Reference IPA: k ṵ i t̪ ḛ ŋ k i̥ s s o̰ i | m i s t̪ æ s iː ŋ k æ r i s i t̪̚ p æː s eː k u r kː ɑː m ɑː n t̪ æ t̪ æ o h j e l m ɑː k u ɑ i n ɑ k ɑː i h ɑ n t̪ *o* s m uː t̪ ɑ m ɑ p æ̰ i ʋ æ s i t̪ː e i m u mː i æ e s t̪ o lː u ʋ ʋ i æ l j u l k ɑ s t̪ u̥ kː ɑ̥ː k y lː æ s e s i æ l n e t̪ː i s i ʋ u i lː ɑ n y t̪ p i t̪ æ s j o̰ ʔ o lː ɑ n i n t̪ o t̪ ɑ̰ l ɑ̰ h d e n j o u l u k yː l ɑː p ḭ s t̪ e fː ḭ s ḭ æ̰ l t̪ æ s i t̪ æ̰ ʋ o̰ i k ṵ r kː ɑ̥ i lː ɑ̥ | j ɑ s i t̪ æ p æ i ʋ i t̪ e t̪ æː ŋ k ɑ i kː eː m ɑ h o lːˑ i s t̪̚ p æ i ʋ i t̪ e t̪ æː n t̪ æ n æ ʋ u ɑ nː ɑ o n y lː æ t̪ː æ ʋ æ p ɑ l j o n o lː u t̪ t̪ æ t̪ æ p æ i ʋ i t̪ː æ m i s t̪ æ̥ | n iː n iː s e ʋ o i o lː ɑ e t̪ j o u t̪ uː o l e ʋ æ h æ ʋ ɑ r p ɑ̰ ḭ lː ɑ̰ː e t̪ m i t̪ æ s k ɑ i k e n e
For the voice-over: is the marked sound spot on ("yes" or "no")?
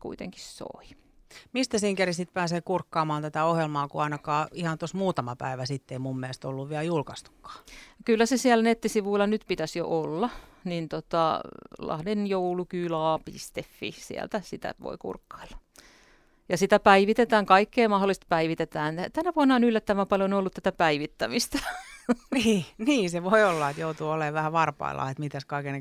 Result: yes